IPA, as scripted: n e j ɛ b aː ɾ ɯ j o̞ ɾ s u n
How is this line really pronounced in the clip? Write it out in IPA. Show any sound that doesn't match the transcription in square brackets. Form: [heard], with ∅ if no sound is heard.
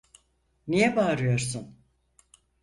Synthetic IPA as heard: n [i] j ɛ b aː ɾ ɯ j o̞ ɾ s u n